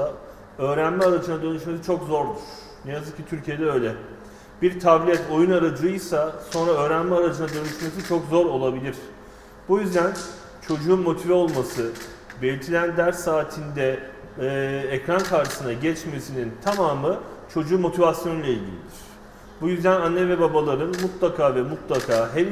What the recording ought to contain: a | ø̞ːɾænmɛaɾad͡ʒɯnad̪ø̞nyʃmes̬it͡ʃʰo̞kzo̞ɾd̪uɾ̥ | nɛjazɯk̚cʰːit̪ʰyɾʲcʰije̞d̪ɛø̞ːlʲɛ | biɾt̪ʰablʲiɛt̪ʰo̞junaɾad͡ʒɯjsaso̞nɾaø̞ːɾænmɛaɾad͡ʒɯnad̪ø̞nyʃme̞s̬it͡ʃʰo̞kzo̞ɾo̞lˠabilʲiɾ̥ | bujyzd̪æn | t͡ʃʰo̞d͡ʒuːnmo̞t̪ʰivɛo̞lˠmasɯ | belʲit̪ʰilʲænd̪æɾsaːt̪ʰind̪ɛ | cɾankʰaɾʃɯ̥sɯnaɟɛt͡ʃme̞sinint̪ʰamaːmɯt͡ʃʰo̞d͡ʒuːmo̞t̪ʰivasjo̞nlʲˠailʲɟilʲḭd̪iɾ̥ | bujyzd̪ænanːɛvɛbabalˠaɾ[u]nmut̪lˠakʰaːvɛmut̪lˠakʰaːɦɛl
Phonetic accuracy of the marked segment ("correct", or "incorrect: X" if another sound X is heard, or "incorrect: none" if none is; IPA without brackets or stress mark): incorrect: ɯ